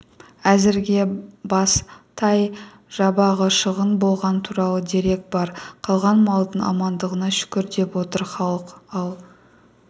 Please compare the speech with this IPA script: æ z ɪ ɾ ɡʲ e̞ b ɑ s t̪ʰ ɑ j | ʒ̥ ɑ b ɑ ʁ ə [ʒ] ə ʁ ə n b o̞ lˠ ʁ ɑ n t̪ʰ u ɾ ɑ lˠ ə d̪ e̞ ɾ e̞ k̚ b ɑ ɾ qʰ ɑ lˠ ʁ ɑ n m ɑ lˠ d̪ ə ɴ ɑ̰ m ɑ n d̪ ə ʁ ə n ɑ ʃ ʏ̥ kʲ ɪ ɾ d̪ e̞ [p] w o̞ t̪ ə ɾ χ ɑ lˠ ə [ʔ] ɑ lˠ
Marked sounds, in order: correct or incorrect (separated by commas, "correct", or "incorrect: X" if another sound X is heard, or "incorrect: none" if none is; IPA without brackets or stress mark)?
incorrect: ʃ, correct, incorrect: q